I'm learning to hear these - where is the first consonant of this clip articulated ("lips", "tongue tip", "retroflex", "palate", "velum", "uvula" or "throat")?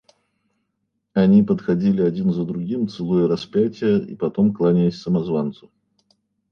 tongue tip